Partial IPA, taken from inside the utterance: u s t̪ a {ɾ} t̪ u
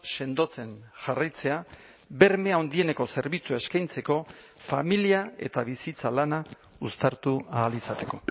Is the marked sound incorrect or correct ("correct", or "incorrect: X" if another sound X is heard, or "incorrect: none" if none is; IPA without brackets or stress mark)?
correct